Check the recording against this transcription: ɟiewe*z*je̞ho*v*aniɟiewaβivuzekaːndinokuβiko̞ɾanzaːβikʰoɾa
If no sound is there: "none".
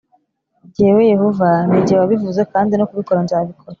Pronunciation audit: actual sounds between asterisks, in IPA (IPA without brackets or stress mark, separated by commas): none, v